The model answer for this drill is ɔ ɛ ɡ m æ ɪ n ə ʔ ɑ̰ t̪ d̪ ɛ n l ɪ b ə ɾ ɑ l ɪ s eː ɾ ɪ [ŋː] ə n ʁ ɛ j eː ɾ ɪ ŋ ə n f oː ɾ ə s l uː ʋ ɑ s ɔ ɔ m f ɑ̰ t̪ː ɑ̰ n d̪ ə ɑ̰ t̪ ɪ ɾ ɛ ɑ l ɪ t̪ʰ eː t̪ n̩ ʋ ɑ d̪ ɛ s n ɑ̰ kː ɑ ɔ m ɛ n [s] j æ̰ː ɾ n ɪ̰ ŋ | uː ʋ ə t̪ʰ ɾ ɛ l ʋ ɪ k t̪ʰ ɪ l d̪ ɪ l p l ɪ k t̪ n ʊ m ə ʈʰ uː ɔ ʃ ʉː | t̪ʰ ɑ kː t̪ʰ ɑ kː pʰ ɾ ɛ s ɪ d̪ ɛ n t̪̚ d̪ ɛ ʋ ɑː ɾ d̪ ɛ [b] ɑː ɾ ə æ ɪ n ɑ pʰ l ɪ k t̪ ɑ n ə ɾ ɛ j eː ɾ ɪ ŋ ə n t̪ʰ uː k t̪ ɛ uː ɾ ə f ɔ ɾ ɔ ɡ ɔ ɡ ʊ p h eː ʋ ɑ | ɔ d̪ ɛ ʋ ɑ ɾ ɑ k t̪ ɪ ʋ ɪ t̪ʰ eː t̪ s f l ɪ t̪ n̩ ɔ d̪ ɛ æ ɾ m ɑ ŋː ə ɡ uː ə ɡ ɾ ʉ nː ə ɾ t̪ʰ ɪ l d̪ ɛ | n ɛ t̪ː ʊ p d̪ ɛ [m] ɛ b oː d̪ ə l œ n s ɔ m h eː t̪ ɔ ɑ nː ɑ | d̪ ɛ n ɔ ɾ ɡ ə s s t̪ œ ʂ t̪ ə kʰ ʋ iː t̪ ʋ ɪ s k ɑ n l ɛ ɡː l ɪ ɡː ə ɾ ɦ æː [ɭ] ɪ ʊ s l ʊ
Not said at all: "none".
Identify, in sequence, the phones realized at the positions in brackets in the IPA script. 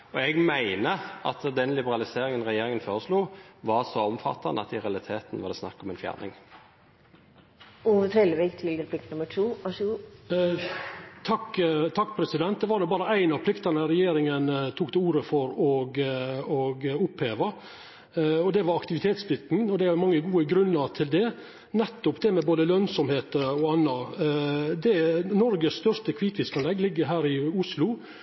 ŋ, f, b, m, ɾ

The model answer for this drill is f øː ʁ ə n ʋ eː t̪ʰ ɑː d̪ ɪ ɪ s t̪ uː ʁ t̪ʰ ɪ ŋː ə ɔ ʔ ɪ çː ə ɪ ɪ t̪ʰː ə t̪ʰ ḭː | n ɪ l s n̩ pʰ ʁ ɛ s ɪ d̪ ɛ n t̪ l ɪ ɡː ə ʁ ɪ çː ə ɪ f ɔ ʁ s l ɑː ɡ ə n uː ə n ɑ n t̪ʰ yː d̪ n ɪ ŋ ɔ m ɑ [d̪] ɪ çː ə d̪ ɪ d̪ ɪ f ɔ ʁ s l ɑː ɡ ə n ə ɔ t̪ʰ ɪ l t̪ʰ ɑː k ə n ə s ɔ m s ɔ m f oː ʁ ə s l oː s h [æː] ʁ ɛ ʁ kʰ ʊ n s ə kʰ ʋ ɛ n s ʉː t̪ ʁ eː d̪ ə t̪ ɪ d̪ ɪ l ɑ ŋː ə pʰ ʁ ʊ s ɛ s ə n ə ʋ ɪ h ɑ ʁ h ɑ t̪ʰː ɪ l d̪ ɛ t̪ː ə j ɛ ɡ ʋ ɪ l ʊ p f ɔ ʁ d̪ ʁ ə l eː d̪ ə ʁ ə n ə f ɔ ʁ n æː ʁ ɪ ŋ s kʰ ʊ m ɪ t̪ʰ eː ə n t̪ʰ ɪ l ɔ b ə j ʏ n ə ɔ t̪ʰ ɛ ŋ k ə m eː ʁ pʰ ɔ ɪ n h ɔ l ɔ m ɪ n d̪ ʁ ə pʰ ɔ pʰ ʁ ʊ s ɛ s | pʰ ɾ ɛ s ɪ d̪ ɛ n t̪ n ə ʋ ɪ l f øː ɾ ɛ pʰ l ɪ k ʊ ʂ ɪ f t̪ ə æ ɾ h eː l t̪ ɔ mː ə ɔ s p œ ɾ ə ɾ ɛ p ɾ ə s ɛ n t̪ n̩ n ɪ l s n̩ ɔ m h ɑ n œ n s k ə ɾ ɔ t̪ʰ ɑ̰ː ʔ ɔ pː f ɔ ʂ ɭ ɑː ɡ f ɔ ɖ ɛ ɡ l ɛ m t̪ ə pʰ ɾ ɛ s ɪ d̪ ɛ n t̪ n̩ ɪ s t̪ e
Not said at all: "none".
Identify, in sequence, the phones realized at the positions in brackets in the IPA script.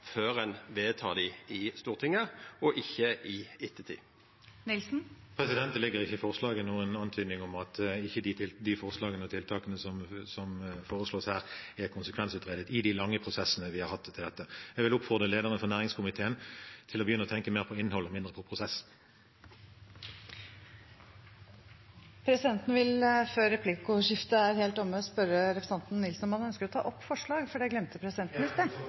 t̪, æː

